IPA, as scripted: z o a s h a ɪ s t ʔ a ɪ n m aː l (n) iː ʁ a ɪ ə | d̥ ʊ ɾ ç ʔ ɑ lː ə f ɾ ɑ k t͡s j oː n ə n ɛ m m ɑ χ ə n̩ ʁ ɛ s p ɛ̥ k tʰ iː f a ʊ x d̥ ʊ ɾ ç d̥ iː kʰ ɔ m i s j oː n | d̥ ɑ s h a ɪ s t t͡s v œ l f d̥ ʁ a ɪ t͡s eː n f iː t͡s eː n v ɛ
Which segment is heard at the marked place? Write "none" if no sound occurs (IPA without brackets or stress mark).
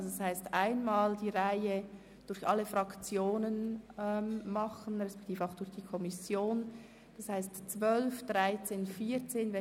d